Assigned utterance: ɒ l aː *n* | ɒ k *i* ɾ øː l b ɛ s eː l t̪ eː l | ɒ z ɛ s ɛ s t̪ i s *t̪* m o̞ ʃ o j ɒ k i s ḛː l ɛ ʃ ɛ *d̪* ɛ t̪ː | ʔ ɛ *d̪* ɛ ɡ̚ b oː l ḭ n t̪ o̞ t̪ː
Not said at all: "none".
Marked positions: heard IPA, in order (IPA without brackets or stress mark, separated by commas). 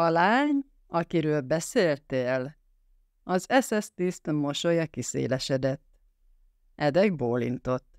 ɲ, i, t̪, d̪, d̪